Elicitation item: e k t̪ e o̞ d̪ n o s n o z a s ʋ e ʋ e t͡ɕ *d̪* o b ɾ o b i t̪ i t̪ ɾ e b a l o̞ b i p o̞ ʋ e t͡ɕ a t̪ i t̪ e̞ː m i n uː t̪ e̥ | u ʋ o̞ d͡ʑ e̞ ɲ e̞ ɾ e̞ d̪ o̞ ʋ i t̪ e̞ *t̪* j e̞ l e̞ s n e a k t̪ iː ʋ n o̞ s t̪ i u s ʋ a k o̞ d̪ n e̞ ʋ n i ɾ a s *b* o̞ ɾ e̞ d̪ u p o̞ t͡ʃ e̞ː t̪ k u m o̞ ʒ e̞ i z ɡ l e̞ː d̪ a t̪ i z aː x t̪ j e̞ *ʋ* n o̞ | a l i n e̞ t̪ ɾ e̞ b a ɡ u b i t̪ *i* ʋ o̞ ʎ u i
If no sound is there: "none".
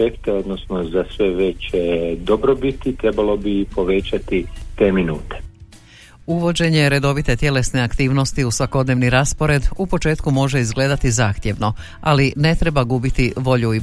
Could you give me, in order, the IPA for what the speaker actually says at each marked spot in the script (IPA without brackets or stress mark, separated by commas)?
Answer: d̪, t̪, p, ʋ, i